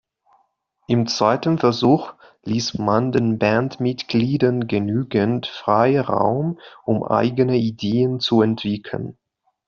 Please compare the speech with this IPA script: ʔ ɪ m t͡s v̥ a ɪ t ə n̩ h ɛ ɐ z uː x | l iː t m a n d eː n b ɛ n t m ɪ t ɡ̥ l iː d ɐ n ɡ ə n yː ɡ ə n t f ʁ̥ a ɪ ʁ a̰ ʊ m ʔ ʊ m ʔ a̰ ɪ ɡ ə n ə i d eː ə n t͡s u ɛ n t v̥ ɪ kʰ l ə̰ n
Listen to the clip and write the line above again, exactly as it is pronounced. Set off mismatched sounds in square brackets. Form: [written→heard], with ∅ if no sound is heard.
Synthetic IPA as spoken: ʔ ɪ m t͡s v̥ a ɪ t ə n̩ [h→f] ɛ ɐ z uː x | l iː [t→s] m a n d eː n b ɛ n t m ɪ t ɡ̥ l iː d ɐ n ɡ ə n yː ɡ ə n t f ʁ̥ a ɪ ʁ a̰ ʊ m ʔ ʊ m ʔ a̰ ɪ ɡ ə n ə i d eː ə n t͡s u ɛ n t v̥ ɪ kʰ l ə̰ n